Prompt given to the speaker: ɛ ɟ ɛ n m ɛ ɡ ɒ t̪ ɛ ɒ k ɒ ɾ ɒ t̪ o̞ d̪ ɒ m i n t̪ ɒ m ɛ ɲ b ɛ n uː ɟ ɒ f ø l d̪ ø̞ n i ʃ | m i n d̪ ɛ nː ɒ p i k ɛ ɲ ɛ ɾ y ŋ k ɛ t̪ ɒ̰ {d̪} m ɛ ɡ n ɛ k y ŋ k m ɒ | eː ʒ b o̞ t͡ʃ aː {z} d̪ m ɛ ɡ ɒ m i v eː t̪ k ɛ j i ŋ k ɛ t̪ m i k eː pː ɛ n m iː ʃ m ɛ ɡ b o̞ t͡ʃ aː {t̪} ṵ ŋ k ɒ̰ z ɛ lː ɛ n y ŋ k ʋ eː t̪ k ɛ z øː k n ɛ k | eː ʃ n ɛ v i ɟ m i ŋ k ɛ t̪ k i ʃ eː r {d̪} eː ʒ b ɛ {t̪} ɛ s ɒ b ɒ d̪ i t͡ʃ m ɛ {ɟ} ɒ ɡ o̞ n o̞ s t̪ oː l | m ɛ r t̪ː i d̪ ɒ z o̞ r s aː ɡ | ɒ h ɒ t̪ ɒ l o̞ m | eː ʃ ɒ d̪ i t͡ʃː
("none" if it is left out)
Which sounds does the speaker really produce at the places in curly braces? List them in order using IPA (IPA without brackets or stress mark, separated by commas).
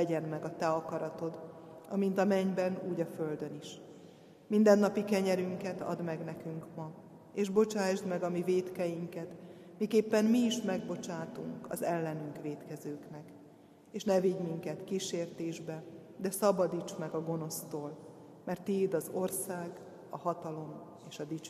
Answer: d̪, ʒ, t̪, t̪, d̪, ɡ